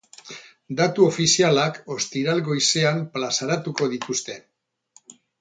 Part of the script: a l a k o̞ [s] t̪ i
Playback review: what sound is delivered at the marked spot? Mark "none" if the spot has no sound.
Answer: s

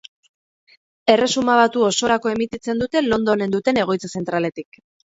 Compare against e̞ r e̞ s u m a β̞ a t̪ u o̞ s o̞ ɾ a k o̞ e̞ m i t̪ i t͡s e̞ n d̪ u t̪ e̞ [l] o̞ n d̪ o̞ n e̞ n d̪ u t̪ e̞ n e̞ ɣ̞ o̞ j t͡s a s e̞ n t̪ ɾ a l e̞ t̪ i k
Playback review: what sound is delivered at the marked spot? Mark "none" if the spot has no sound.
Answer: l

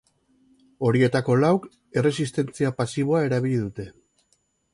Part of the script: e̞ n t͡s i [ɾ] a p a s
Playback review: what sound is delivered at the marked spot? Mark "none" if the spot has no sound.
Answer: none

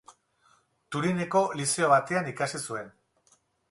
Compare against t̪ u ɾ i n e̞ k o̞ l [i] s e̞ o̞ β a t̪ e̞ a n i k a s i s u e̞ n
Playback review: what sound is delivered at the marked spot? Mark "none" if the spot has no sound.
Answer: i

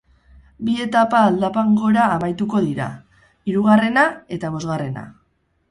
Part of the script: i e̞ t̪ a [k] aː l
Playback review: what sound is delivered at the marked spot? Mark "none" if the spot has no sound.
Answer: p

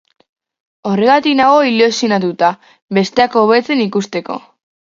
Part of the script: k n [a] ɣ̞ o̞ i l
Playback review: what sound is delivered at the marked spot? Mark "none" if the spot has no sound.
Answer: a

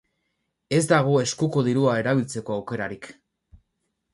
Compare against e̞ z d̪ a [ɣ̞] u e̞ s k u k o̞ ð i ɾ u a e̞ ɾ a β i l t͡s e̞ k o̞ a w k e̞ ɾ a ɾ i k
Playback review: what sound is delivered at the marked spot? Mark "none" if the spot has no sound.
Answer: ɣ̞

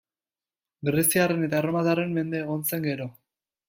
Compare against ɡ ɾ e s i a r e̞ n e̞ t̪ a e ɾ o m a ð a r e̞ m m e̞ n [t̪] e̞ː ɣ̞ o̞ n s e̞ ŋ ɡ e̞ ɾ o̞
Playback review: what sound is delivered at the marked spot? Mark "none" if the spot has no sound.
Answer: d̪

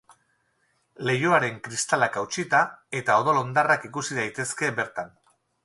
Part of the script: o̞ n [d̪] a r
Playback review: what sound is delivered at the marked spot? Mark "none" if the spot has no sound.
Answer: d̪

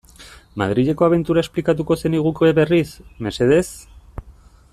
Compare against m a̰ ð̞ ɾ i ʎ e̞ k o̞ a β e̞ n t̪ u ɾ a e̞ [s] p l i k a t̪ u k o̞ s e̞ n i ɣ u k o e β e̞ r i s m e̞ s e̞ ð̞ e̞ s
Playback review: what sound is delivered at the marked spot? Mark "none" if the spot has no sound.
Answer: s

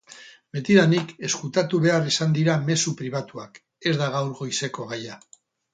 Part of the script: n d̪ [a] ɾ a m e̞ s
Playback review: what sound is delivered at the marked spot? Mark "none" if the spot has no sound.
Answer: i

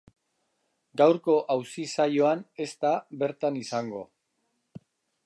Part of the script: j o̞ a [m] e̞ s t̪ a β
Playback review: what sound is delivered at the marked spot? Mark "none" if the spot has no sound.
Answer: n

